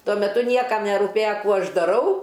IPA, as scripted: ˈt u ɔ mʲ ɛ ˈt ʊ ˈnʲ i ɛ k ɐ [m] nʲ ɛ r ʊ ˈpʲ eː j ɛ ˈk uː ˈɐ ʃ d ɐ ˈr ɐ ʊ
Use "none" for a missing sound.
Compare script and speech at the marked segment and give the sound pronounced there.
m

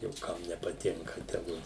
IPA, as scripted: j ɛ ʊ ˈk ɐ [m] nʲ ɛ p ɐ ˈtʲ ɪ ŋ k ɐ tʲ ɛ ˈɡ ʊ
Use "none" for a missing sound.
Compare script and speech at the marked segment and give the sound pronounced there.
m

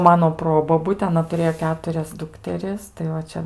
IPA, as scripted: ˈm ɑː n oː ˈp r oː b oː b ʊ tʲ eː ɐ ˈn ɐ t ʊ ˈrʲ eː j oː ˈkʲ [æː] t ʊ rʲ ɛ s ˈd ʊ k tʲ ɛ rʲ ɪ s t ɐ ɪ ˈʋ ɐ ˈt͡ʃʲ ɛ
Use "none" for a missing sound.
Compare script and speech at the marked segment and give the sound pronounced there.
æː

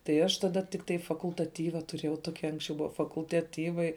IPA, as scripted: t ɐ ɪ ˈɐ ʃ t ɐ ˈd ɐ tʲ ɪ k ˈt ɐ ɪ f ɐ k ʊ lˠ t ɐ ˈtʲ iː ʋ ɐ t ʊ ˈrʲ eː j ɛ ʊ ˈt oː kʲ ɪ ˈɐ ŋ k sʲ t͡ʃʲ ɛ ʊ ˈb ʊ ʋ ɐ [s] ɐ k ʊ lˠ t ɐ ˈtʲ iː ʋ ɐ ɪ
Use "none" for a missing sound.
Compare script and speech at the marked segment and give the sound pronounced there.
f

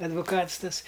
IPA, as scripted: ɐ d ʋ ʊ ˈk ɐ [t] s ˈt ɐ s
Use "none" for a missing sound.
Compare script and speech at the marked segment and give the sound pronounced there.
t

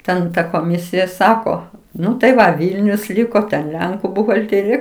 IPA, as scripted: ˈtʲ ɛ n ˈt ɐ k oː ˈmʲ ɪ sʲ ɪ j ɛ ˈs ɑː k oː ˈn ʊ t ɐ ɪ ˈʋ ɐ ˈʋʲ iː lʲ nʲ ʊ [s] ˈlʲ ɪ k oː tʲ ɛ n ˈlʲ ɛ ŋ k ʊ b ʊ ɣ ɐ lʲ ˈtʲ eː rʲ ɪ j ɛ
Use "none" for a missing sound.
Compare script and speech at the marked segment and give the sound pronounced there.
s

